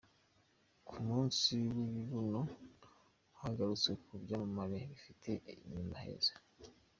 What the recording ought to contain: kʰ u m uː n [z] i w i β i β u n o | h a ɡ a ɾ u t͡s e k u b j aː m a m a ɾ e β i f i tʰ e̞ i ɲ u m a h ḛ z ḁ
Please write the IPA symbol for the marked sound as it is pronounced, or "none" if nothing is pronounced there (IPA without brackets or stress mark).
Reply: s